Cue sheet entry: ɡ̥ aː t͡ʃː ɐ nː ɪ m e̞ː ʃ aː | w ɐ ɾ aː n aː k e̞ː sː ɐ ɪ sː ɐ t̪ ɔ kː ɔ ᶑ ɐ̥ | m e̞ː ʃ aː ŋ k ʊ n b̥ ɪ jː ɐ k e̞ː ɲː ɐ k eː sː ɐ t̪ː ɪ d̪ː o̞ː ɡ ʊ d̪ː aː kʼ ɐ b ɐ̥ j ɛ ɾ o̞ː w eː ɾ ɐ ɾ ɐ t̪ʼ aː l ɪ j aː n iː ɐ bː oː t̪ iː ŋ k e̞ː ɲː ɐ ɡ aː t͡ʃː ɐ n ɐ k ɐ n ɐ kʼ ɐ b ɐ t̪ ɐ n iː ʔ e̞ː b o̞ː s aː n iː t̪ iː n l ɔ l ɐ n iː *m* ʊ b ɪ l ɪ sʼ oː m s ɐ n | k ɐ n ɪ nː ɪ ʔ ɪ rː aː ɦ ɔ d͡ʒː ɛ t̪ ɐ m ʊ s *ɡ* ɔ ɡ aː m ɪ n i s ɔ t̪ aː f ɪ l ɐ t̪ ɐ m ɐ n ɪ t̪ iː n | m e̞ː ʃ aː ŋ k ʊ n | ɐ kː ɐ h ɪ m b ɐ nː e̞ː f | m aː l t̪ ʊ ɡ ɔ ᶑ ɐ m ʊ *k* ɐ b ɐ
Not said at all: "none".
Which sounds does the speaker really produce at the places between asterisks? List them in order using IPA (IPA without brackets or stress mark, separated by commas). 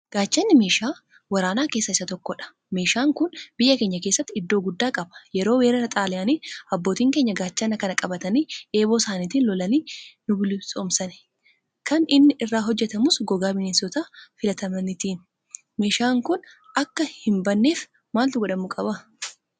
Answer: n, ɡ, kʼ